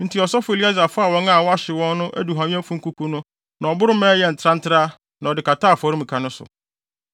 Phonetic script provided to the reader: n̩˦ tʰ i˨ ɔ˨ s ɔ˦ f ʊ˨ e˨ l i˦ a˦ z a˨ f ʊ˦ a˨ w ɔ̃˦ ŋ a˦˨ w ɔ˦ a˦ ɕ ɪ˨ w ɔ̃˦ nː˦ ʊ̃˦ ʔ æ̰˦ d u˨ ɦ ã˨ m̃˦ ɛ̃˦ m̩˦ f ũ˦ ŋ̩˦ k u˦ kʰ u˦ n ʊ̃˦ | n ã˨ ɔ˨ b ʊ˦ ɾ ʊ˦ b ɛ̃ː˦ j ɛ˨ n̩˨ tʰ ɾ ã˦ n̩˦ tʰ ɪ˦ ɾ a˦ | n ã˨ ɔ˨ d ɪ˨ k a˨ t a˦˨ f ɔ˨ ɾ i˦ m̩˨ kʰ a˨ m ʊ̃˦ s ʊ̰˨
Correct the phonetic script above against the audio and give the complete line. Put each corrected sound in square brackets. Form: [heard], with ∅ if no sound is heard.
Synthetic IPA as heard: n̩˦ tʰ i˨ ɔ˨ s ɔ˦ f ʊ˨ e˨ l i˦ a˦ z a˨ f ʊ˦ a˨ w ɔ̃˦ ŋ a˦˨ w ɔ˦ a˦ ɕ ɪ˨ w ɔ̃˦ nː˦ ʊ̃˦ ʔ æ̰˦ d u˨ ɦ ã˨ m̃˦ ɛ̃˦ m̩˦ f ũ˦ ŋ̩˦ k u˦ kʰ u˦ n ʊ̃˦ | n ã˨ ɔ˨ b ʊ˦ ɾ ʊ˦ [m] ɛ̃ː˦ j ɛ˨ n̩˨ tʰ ɾ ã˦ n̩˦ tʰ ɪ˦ ɾ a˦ | n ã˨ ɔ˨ d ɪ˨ k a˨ t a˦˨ f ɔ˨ ɾ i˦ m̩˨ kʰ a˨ [n] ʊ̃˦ s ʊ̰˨